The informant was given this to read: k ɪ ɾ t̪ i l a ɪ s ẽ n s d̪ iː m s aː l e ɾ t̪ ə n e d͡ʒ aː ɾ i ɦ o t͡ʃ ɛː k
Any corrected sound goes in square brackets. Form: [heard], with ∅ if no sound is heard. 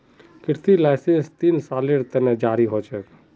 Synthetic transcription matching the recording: k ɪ ɾ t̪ i l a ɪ s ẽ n s [t̪] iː [n] s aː l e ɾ t̪ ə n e d͡ʒ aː ɾ i ɦ o t͡ʃ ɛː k